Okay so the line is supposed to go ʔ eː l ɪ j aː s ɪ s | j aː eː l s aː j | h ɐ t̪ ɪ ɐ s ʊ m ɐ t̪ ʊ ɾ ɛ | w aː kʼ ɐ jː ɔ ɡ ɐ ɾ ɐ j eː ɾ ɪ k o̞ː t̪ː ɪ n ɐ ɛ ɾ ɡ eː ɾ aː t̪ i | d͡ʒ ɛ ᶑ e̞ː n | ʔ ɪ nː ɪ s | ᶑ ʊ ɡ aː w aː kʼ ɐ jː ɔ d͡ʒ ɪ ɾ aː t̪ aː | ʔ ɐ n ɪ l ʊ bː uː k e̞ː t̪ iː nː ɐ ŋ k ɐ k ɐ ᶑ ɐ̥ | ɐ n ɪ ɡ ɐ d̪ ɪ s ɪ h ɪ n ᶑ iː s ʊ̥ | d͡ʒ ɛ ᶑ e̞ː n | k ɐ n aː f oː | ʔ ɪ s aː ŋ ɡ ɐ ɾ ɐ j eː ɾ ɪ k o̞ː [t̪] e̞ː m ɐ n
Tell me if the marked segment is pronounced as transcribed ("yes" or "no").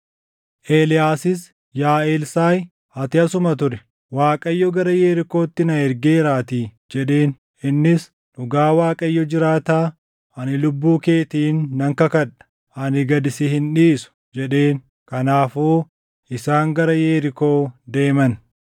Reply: no